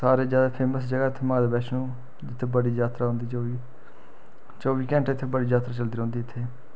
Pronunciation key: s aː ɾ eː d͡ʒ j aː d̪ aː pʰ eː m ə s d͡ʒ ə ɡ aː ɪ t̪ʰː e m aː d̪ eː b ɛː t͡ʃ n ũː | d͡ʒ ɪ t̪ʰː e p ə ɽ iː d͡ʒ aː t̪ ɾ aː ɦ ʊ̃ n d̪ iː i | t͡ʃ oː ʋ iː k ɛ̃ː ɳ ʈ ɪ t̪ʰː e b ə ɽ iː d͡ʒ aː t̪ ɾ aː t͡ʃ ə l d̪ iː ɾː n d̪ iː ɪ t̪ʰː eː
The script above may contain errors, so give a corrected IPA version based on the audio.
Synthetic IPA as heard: s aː ɾ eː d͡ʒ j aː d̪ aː pʰ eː m ə s d͡ʒ ə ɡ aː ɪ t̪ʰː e m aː d̪ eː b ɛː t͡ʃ n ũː | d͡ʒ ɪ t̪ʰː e b ə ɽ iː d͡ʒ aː t̪ ɾ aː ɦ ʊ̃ n d̪ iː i | t͡ʃ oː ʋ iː k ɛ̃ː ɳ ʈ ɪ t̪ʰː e b ə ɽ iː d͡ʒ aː t̪ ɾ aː t͡ʃ ə l d̪ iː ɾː n d̪ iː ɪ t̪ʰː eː